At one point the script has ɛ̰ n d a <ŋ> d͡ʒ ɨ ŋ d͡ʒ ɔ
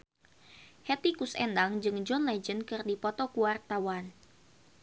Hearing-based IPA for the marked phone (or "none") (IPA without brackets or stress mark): ŋ